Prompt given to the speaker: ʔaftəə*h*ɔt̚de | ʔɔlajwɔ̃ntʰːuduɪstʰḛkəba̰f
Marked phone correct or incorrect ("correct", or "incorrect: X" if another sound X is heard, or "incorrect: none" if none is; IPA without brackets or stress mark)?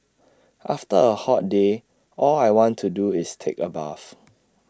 correct